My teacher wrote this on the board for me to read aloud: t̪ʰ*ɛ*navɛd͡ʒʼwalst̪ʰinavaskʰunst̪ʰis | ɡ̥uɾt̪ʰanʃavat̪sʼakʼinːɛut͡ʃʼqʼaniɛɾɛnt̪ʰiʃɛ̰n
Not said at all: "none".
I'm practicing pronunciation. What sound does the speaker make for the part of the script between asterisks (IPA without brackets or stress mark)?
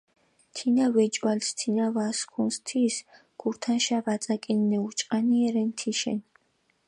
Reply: i